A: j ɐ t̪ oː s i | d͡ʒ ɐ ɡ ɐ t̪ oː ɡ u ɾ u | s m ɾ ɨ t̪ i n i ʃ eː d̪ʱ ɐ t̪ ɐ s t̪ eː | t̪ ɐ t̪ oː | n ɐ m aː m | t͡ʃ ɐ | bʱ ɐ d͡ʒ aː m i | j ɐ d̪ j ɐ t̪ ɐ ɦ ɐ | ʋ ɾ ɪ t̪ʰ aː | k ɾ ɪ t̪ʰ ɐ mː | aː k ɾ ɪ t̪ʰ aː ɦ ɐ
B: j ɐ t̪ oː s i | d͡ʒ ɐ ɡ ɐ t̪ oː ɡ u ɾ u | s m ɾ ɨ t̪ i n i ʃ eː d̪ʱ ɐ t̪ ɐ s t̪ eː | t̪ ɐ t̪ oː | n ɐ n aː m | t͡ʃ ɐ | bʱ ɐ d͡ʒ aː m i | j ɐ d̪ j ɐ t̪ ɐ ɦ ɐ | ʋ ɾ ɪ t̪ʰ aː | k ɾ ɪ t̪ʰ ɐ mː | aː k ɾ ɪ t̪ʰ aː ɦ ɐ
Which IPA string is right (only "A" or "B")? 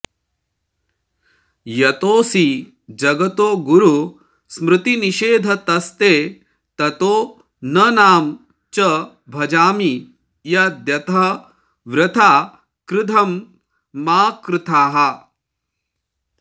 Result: B